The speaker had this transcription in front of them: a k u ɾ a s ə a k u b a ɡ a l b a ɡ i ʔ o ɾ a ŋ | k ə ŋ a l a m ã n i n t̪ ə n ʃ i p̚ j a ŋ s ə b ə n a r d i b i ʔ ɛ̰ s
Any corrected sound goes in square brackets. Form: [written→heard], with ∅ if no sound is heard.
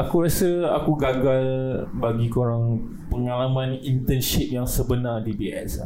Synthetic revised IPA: a k u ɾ a s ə a k u [b→ɡ] a ɡ a l b a ɡ i [ʔ→k] o ɾ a ŋ | [k→p] ə ŋ a l a m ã n i n t̪ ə n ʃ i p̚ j a ŋ s ə b ə n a r d i b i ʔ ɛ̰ s